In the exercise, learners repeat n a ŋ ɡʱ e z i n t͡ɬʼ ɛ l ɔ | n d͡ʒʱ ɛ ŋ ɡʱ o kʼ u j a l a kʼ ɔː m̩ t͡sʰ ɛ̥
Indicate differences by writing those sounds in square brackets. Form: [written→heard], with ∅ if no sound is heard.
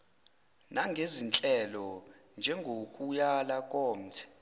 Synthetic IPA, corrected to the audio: n a ŋ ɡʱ e z i n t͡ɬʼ ɛ l ɔ | n d͡ʒʱ ɛ ŋ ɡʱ o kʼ u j a l a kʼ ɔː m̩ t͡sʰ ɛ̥